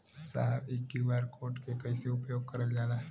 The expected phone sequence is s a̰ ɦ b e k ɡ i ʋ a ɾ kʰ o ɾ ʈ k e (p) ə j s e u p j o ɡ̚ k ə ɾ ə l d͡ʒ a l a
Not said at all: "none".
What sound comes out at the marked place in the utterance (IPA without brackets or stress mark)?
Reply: k